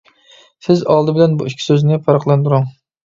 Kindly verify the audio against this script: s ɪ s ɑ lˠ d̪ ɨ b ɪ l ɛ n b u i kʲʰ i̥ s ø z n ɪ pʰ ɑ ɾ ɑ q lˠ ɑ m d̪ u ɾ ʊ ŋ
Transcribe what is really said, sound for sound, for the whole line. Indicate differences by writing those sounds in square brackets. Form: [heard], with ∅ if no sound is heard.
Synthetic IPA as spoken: s ɪ [z] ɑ lˠ d̪ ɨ b ɪ l ɛ n b u i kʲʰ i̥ s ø z n ɪ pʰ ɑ ɾ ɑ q lˠ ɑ [n] d̪ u ɾ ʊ ŋ

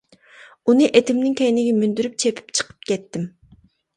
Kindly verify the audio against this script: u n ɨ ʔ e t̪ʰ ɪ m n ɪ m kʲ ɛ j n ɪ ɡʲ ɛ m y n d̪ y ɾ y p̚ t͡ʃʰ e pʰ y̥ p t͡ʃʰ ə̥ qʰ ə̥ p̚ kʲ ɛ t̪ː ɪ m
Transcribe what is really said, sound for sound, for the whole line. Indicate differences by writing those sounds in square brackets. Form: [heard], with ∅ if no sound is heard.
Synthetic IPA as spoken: u n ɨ ʔ e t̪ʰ ɪ m n ɪ [ŋ] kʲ ɛ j n ɪ ɡʲ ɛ m y n d̪ y ɾ y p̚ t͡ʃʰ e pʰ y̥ p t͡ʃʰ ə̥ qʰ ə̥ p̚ kʲ ɛ t̪ː ɪ m

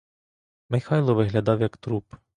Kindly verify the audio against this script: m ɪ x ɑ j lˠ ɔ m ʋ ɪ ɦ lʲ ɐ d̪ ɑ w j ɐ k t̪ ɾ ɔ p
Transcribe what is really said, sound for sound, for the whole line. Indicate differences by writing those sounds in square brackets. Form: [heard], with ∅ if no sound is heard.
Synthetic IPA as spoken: m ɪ x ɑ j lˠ ɔ [∅] ʋ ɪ ɦ lʲ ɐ d̪ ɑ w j ɐ k t̪ ɾ [u] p

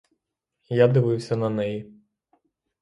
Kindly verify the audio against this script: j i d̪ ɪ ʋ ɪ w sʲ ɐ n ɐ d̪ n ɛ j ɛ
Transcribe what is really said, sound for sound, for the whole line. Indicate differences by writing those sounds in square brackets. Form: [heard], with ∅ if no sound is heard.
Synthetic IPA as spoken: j [a] d̪ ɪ ʋ ɪ w sʲ ɐ n ɐ [∅] n ɛ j [i]

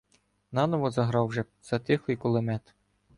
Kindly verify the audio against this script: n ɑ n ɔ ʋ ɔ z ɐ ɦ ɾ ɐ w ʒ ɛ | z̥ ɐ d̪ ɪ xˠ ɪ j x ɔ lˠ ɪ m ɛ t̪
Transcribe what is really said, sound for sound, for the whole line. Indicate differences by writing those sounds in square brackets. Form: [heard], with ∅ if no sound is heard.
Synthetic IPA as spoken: n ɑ n ɔ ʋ ɔ z ɐ ɦ ɾ [ɑ] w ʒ ɛ | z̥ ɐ [t̪] ɪ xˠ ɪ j [k] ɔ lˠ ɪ m ɛ t̪

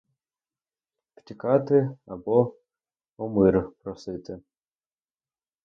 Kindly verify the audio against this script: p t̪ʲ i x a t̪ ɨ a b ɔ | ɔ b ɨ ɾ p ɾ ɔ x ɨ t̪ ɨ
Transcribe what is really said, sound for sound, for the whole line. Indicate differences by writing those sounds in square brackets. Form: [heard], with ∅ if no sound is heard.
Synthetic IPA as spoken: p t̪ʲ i [k] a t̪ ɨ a b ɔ | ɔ [m] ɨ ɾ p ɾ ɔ [s] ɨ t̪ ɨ

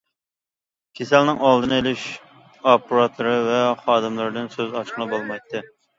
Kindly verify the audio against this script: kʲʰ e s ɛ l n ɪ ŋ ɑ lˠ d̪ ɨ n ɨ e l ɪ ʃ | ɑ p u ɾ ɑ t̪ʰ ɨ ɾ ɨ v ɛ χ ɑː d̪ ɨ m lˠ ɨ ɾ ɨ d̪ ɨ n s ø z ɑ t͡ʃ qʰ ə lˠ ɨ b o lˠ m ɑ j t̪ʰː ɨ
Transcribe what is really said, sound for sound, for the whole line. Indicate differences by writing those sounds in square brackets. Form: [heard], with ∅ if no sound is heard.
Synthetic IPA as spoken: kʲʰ e s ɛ l n ɪ ŋ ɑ lˠ d̪ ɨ n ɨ e l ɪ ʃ | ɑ p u ɾ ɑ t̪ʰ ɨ ɾ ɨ v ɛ χ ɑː d̪ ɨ m lˠ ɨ ɾ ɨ d̪ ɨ n s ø z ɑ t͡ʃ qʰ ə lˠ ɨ b o lˠ m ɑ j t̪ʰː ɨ

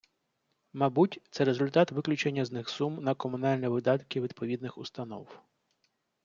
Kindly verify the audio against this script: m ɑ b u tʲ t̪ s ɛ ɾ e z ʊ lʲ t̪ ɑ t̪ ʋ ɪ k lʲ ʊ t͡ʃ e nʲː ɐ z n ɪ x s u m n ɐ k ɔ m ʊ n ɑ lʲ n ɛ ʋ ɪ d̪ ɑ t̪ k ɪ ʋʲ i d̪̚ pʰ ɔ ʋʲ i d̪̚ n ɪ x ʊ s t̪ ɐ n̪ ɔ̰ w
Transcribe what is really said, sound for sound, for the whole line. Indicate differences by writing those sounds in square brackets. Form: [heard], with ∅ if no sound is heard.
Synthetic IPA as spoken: m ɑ b u tʲ t̪ s ɛ ɾ e z ʊ lʲ t̪ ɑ t̪ ʋ ɪ k lʲ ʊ t͡ʃ e nʲː ɐ z n ɪ x s u m n ɐ k ɔ m ʊ n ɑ lʲ n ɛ ʋ ɪ d̪ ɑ t̪ k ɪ ʋʲ i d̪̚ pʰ ɔ ʋʲ i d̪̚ n ɪ x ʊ s t̪ ɐ n̪ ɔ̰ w

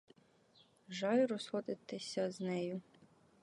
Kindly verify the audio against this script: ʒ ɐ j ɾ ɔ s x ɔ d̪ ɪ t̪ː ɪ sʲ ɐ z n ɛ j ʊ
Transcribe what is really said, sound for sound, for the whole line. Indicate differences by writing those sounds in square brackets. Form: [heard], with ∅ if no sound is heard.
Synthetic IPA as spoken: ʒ [ɑ] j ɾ ɔ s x ɔ d̪ ɪ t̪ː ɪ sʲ ɐ z n ɛ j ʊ

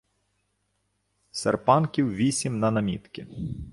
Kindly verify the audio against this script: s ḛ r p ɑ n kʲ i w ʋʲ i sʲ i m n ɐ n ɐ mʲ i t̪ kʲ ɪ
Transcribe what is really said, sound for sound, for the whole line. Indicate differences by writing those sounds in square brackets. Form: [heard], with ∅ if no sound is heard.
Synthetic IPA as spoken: s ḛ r p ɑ n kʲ i w ʋʲ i sʲ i m n ɐ n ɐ mʲ i t̪ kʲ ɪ

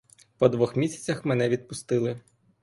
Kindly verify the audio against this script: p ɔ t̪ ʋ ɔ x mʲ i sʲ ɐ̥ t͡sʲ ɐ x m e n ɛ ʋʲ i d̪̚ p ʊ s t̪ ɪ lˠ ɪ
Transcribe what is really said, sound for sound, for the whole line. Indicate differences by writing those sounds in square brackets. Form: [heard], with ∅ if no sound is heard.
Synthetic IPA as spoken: p ɔ [d̪] ʋ ɔ x mʲ i sʲ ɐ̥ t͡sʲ ɐ x m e n ɛ ʋʲ i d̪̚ p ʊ s t̪ ɪ lˠ ɪ

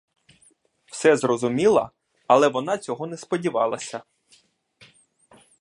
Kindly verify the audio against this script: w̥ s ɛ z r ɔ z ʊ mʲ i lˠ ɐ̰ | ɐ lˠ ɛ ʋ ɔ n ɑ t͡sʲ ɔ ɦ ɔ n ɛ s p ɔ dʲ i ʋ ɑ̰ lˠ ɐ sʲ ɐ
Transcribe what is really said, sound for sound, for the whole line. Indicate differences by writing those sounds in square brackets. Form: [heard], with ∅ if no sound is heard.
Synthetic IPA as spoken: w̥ s ɛ z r ɔ z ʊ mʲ i lˠ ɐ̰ | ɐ lˠ ɛ ʋ ɔ n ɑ t͡sʲ ɔ ɦ ɔ n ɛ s p ɔ dʲ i ʋ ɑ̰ lˠ ɐ sʲ ɐ

